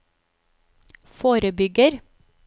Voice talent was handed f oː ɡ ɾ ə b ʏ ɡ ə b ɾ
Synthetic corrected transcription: f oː ɾ ə b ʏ ɡ ə ɾ